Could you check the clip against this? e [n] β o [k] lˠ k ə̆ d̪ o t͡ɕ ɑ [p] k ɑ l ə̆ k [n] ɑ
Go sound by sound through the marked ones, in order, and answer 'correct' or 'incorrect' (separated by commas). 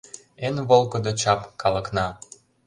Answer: correct, incorrect, correct, correct